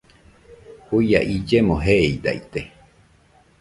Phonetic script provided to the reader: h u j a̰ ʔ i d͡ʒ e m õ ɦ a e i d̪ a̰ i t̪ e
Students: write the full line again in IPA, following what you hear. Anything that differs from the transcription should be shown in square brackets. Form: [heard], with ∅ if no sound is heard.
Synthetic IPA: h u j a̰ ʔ i d͡ʒ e m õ ɦ [e] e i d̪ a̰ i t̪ e